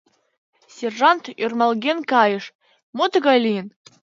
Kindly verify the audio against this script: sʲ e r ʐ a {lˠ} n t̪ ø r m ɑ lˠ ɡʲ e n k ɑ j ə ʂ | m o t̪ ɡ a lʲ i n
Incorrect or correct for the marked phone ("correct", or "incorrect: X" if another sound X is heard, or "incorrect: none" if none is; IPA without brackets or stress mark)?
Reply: incorrect: none